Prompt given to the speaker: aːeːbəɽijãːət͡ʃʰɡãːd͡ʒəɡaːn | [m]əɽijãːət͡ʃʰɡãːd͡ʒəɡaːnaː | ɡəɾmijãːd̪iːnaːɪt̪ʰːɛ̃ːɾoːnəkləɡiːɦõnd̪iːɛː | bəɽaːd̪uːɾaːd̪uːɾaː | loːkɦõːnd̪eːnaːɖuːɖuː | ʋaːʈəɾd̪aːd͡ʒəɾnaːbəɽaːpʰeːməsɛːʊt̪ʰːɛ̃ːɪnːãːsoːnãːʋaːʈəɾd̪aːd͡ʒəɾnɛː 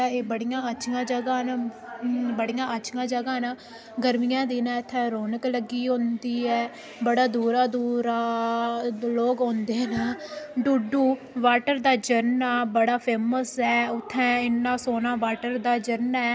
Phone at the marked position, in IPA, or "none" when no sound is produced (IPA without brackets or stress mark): b